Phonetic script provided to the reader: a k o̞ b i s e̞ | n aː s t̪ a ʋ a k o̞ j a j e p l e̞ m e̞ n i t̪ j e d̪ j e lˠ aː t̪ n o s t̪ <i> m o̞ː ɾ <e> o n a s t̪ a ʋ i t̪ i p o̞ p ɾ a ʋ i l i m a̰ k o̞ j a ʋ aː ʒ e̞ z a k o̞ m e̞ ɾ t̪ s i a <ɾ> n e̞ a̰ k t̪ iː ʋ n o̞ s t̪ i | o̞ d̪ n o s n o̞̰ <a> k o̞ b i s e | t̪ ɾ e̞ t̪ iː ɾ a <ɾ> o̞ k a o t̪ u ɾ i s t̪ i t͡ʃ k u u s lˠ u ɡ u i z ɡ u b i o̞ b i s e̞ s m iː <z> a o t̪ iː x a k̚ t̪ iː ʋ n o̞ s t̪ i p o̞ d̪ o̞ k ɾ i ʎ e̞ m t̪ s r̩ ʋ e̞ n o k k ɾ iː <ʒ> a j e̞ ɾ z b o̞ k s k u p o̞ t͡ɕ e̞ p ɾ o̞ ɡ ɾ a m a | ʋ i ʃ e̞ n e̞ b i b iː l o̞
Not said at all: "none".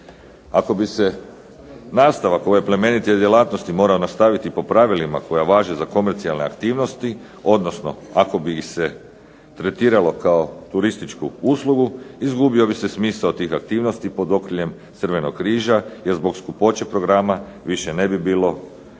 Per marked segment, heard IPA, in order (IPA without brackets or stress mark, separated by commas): i, a, l, a, l, s, ʒ